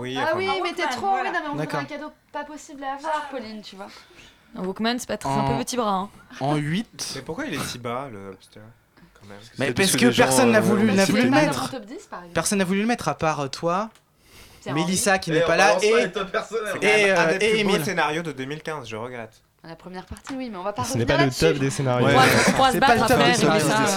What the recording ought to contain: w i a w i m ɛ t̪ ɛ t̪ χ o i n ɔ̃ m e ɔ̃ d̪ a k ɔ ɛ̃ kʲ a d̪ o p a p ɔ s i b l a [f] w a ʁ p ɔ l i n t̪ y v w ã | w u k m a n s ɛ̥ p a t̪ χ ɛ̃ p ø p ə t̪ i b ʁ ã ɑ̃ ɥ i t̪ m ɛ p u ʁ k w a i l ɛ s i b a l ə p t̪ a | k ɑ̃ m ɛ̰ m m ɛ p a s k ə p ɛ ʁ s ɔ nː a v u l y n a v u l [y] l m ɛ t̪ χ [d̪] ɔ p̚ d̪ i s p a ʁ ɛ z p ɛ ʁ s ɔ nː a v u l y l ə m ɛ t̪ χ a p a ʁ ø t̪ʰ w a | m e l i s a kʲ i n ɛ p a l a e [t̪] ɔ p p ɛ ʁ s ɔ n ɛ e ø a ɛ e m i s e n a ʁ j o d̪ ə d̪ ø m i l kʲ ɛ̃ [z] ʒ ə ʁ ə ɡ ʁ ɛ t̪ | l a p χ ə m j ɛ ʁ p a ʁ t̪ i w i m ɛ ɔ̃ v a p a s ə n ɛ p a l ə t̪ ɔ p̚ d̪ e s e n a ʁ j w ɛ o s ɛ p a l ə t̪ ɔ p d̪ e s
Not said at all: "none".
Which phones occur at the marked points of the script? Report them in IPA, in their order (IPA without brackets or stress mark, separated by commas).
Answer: v, y, t̪, t̪, z